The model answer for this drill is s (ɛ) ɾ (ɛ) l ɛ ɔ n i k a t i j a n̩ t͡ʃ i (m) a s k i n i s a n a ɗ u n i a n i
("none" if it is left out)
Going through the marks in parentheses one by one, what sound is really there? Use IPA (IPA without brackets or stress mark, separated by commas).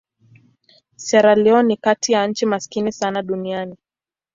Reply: ɛ, a, m